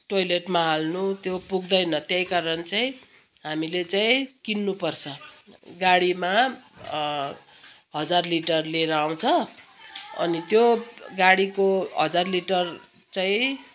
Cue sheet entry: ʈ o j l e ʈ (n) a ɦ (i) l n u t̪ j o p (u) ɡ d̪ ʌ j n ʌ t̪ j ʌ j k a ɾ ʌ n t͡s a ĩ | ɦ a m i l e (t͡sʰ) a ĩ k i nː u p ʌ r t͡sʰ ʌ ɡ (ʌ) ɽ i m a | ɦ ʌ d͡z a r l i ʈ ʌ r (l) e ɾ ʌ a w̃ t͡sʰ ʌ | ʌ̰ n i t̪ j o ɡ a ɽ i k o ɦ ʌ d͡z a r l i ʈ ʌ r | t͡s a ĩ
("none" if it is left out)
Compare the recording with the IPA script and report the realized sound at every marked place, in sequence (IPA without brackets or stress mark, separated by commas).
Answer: m, a, u, t͡s, a, l